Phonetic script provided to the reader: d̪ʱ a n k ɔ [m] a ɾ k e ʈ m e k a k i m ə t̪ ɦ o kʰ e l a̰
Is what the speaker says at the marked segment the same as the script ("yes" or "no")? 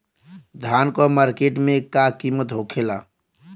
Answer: yes